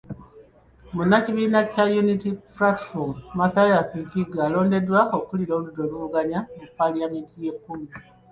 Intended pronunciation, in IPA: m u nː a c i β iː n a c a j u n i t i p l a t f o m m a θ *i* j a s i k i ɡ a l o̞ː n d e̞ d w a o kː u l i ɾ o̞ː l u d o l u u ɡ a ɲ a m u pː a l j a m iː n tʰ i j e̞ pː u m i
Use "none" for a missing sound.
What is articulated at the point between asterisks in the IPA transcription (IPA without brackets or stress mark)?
a